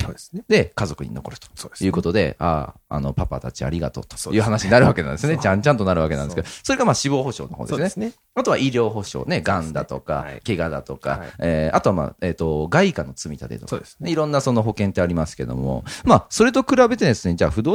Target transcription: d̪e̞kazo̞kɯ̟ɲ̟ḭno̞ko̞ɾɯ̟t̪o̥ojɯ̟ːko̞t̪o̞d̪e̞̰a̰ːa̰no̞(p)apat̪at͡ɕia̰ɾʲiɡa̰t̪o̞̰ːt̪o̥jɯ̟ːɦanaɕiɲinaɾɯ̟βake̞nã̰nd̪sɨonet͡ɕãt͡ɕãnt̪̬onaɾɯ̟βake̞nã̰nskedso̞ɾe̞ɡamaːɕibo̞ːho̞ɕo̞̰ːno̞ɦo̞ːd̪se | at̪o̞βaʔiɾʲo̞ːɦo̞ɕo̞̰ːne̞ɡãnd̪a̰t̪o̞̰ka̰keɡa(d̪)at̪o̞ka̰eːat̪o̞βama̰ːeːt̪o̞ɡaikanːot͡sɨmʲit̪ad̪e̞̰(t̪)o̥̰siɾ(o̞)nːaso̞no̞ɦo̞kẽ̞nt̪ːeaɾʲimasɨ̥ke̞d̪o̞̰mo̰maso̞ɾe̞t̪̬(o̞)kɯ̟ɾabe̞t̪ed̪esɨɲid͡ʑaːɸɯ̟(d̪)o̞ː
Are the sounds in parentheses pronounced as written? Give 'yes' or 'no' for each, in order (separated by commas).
yes, yes, yes, no, yes, yes